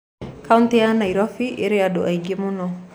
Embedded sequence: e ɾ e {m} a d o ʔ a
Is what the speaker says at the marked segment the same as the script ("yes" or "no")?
no